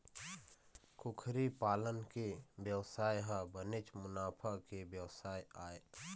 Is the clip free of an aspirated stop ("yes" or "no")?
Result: no